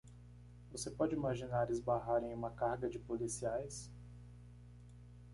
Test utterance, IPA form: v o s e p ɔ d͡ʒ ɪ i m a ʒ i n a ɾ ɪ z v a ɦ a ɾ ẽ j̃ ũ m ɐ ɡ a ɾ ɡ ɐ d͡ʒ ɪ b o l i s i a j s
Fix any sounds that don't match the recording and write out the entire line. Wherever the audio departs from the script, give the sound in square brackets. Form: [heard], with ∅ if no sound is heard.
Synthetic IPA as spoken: v o s e p ɔ d͡ʒ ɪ i m a ʒ i n a ɾ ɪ z [b] a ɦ a ɾ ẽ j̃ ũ m ɐ [k] a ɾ ɡ ɐ d͡ʒ ɪ [p] o l i s i a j s